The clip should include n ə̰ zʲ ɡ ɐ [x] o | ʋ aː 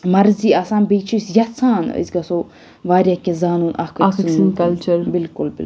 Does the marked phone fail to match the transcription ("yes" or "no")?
yes